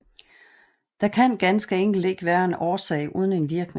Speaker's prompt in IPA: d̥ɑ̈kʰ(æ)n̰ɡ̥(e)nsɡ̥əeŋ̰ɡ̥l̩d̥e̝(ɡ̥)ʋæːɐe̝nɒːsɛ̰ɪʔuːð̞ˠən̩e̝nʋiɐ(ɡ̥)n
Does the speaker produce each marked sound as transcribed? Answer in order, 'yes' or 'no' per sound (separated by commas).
yes, no, yes, yes